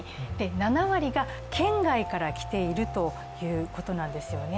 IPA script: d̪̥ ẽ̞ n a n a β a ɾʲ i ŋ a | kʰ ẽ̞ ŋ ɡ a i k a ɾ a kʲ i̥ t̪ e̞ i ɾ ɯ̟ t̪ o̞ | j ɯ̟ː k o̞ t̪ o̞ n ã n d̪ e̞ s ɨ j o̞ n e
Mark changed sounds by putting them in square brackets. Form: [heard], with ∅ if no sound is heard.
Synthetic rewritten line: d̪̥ [e̞] n a n a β a ɾʲ i [ɡ] a | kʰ ẽ̞ ŋ ɡ a i k a ɾ a kʲ i̥ t̪ e̞ i ɾ ɯ̟ t̪ o̞ | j ɯ̟ː k o̞ t̪ o̞ n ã n d̪ e̞ s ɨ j o̞ n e